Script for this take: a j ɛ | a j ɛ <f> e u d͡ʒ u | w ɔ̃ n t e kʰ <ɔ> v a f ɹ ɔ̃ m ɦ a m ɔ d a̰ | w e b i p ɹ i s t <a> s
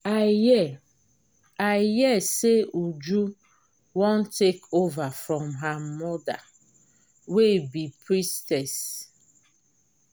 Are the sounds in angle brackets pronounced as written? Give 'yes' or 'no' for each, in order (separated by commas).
no, no, no